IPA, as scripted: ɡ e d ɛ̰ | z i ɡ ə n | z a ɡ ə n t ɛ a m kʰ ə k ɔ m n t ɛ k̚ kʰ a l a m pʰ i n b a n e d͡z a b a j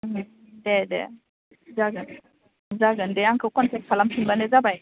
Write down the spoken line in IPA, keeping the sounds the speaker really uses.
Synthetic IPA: d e d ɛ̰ | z a ɡ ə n | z a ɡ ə n d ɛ a ŋ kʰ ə k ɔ n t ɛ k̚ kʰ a l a m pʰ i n b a n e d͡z a b a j

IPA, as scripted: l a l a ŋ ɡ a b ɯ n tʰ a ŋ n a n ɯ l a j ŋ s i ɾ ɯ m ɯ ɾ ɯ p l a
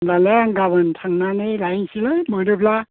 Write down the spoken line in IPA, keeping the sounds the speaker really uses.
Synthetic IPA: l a l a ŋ ɡ a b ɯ n tʰ a ŋ n a n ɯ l a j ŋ s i l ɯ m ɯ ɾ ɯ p l a

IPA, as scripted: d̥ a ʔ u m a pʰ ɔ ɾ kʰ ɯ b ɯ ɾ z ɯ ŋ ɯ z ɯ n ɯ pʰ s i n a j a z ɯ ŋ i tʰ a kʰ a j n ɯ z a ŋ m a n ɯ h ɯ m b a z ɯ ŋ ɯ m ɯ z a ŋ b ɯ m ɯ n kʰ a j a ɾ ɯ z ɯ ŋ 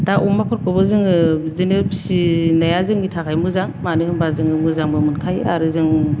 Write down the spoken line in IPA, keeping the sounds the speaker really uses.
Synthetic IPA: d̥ a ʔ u m a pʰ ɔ ɾ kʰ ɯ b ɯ z ɯ ŋ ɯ z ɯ n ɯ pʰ s i n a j a z ɯ ŋ i tʰ a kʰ a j m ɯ z a ŋ m a n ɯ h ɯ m b a z ɯ ŋ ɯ m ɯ z a ŋ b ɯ m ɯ n kʰ a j a ɾ ɯ z ɯ ŋ

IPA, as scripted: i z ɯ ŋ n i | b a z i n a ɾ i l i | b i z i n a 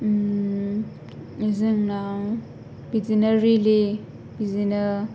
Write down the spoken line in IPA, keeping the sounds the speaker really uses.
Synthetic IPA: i z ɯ ŋ n a | b i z i n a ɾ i l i | b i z i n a

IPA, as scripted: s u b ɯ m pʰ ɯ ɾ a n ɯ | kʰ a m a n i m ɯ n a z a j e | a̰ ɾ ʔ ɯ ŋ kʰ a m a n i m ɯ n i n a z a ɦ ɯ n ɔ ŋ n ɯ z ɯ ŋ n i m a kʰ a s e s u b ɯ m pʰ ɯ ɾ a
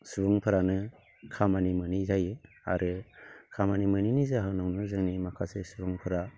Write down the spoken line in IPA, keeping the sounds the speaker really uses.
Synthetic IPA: s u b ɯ ŋ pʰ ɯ ɾ a n ɯ | kʰ a m a n i m ɯ n i z a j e | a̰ ɾ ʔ ɯ kʰ a m a n i m ɯ n i n i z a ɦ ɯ n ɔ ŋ n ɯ z ɯ ŋ n i m a kʰ a s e s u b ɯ ŋ pʰ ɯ ɾ a

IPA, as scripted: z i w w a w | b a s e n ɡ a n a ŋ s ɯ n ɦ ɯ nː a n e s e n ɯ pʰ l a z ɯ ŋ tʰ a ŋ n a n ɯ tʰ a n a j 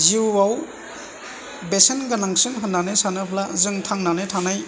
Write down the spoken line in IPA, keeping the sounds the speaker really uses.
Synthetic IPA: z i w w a w | b e s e n ɡ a n a ŋ s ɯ n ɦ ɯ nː a n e s a n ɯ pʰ l a z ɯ ŋ tʰ a ŋ n a n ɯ tʰ a n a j

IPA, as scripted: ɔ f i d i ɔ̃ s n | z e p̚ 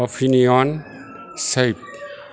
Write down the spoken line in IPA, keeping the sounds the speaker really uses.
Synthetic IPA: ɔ f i n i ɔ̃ n | s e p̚

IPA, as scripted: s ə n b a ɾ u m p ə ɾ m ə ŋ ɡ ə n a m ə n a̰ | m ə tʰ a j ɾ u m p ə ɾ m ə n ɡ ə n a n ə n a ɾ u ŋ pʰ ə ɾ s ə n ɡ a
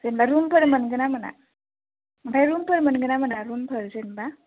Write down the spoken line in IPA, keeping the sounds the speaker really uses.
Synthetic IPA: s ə n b a ɾ u m p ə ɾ m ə n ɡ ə n a m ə n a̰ | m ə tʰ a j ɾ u m p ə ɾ m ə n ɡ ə n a m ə n a ɾ u m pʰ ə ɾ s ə n b a

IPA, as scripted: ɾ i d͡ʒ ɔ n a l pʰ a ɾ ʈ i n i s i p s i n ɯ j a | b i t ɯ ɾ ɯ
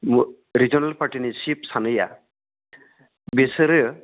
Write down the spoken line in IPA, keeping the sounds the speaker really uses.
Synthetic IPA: ɾ i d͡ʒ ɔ n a l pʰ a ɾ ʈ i n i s i p s a n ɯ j a | b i s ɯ ɾ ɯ

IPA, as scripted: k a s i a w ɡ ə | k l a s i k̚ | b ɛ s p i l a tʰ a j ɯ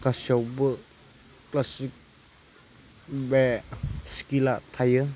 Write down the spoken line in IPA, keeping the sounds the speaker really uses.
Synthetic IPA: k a s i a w b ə | k l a s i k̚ | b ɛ s k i l a tʰ a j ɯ

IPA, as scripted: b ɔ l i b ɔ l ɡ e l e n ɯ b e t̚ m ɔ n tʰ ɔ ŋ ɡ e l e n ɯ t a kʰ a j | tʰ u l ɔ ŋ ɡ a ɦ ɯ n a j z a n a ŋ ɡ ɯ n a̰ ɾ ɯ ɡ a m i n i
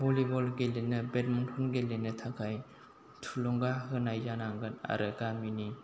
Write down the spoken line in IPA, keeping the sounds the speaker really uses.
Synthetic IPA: b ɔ l i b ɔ l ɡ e l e n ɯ b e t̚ m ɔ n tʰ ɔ n ɡ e l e n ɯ tʰ a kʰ a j | tʰ u l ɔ ŋ ɡ a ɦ ɯ n a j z a n a ŋ ɡ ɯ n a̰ ɾ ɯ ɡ a m i n i

